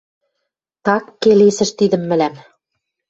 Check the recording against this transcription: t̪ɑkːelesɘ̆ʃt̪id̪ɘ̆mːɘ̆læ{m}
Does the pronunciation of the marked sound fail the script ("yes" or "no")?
no